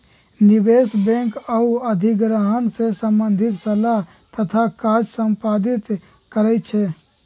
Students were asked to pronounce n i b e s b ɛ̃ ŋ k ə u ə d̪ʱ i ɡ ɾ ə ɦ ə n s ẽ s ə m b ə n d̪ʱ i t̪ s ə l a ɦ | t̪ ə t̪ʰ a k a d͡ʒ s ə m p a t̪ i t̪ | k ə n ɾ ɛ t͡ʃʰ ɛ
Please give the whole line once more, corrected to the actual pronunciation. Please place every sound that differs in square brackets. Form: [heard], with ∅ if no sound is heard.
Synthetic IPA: n i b e s b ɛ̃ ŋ k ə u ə d̪ʱ i ɡ ɾ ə ɦ ə n s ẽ s ə m b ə n d̪ʱ i t̪ s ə l a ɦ | t̪ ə t̪ʰ a k a d͡ʒ s ə m p a [d̪] i t̪ | k ə [∅] ɾ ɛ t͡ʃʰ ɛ